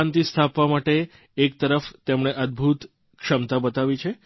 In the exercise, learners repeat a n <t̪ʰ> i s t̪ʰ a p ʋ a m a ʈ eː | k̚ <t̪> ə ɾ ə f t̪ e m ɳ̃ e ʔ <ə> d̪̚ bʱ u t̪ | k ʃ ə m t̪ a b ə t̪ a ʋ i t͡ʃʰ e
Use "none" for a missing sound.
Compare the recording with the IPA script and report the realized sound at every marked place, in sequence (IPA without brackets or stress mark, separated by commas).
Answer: t̪, t̪, ə